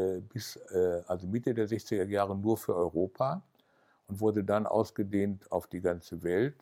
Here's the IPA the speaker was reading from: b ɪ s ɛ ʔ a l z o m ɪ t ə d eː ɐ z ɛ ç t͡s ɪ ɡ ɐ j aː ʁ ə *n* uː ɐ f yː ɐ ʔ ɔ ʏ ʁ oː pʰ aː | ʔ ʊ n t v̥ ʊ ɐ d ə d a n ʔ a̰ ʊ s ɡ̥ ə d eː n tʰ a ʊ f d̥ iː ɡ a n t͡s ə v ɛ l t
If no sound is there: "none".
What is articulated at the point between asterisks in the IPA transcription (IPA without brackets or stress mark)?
n